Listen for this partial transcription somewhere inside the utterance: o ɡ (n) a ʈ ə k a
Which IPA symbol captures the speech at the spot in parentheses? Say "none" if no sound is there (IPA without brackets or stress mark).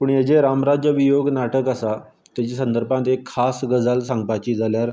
n